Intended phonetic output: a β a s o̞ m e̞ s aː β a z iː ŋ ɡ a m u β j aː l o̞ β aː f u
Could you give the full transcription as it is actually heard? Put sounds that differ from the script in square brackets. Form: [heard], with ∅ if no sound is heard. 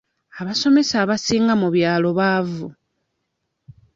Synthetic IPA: a β a s o̞ m e̞ s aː β a [s] iː ŋ ɡ a m u β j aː l o̞ β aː [v] u